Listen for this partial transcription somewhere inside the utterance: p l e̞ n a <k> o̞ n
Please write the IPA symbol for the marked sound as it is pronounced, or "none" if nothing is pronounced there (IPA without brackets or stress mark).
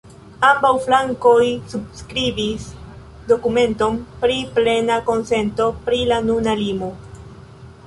k